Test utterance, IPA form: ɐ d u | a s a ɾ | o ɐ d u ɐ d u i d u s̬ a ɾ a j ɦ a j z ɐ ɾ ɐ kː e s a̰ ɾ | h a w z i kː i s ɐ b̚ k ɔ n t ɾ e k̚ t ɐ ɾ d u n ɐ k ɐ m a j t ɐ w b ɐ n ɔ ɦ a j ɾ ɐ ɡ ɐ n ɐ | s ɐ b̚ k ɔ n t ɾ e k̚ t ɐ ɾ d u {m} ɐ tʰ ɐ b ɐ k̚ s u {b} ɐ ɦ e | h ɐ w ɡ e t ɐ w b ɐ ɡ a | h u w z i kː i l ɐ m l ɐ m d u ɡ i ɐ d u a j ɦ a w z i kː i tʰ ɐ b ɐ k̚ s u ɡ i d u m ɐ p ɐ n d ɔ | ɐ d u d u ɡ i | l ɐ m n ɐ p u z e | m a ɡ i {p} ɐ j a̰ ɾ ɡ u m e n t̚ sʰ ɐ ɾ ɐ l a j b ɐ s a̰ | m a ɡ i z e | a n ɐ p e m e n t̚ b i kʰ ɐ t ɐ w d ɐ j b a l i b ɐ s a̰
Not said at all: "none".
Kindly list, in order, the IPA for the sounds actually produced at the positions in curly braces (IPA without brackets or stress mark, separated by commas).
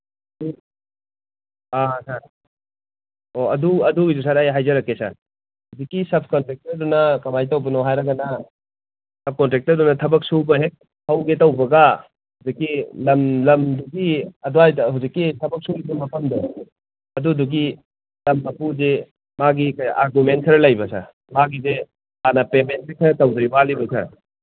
n, b, k